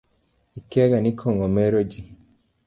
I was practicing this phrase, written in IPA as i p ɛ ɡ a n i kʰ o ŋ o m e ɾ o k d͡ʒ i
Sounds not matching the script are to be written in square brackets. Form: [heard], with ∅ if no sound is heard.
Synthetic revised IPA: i [k] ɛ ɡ a n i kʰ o ŋ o m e ɾ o [∅] d͡ʒ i